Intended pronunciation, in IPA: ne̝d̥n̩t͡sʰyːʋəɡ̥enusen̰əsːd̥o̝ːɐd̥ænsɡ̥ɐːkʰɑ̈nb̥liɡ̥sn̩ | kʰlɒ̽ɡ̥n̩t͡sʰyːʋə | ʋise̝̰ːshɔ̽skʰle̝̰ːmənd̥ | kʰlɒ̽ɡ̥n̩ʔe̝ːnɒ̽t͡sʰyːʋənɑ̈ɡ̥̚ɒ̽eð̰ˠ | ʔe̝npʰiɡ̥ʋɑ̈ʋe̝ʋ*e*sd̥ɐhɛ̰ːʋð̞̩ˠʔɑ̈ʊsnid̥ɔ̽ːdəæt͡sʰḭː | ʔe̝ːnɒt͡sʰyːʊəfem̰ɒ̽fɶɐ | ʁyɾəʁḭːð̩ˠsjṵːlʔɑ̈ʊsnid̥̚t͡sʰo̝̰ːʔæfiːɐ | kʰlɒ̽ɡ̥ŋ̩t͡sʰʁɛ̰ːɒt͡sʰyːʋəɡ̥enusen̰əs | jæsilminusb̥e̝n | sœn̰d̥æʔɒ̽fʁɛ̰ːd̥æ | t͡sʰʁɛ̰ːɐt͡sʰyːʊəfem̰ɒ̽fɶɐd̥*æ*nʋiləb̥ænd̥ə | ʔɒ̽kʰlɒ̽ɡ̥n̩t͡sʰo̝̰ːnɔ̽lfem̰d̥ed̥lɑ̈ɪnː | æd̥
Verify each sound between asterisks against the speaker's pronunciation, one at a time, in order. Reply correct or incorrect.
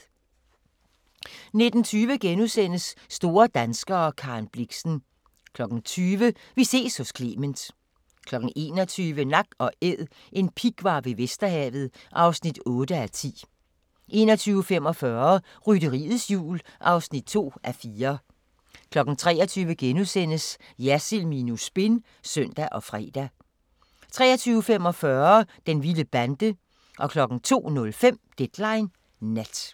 correct, incorrect: e

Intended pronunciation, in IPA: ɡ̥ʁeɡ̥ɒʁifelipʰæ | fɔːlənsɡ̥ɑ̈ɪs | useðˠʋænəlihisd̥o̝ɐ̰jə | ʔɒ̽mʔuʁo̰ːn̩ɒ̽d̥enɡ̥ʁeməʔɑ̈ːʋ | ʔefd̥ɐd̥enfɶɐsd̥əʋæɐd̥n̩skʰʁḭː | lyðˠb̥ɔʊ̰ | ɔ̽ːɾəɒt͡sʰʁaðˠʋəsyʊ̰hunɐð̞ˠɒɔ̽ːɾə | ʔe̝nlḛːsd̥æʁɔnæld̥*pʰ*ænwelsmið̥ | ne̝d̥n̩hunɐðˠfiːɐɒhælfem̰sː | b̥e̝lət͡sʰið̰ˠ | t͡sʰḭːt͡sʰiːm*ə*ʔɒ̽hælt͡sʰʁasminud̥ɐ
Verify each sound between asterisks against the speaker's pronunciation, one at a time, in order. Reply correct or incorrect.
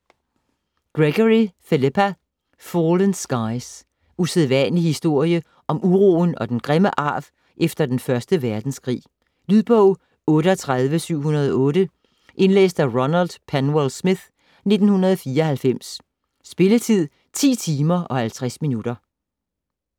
correct, incorrect: ɐ

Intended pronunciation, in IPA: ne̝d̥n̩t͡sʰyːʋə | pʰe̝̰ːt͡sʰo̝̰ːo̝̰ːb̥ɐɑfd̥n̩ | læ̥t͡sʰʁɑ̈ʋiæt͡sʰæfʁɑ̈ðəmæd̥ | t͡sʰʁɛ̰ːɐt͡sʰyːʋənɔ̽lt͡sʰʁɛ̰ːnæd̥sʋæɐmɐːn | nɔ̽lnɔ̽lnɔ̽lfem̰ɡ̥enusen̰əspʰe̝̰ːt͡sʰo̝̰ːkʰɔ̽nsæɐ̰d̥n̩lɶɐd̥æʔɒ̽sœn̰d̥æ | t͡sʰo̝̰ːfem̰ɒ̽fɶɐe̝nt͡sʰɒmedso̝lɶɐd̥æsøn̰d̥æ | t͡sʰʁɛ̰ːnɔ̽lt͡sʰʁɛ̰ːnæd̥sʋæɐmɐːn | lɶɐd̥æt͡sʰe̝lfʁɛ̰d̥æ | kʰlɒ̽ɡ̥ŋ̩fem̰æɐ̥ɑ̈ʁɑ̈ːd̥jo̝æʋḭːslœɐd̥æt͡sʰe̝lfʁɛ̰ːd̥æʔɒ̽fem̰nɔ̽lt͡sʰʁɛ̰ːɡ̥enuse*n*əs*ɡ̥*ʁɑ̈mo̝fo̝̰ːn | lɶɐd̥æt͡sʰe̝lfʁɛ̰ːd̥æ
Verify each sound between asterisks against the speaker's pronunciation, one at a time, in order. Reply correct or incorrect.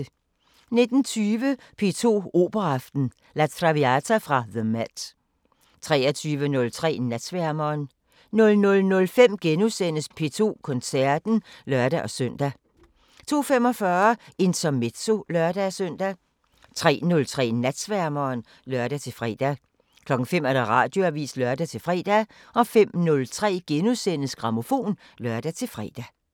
correct, correct

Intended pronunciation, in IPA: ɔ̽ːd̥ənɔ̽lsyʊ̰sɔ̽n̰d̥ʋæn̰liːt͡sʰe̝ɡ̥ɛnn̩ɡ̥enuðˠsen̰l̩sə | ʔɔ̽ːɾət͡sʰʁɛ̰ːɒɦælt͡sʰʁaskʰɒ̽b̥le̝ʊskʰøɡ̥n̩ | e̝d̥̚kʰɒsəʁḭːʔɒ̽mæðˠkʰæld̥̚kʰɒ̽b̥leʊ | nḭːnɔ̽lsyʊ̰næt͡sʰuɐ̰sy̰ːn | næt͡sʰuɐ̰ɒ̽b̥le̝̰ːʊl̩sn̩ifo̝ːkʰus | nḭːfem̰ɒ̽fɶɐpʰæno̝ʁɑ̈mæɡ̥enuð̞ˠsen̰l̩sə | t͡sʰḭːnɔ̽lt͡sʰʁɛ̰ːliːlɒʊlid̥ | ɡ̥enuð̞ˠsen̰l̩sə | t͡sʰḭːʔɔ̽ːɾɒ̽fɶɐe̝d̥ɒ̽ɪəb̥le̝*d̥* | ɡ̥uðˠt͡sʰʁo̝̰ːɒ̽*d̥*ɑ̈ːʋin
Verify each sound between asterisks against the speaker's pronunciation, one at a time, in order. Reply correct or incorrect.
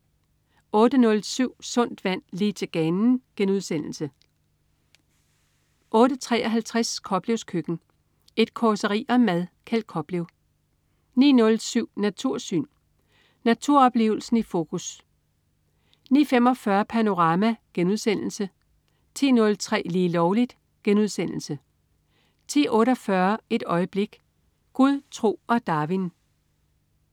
incorrect: ɡ̥, correct

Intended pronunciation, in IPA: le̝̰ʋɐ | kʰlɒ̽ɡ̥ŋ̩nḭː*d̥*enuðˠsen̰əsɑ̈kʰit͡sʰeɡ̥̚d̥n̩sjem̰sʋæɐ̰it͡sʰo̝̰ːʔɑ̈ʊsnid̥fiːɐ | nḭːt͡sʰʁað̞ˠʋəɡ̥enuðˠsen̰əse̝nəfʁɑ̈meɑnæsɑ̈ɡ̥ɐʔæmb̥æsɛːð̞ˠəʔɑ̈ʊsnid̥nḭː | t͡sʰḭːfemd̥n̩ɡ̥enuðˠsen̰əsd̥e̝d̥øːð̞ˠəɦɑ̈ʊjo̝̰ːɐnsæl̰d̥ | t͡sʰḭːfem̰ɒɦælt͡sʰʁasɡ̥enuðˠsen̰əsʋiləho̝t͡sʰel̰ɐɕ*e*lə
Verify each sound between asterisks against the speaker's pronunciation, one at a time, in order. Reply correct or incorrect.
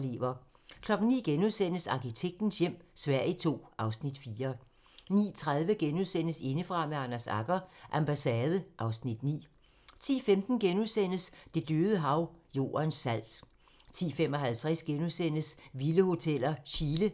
incorrect: ɡ̥, incorrect: i

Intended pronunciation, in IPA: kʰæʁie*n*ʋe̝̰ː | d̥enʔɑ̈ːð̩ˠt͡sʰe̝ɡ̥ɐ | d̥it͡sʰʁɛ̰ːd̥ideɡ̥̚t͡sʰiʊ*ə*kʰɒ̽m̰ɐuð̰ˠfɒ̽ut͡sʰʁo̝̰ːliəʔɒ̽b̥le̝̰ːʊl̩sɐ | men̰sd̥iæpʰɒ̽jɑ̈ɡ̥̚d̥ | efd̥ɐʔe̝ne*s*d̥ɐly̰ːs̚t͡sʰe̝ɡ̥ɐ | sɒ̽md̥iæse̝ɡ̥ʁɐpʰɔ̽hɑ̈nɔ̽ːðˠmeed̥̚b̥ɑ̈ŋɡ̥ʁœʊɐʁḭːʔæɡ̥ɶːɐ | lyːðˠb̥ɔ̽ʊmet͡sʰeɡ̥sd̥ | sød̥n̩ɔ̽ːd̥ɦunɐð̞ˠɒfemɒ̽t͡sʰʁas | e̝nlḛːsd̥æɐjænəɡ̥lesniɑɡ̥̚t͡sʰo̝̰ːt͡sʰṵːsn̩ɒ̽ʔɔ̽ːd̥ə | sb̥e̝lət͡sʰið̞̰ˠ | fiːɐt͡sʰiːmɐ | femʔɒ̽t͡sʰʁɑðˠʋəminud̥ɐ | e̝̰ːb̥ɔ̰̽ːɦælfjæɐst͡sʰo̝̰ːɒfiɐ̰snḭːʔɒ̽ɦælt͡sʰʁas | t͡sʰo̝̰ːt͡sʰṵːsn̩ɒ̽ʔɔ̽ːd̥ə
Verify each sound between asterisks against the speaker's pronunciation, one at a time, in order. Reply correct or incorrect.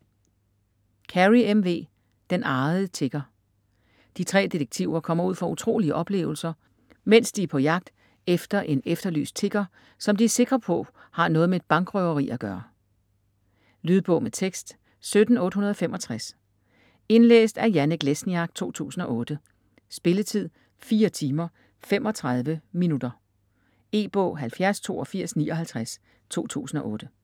incorrect: m, incorrect: ɐ, incorrect: f

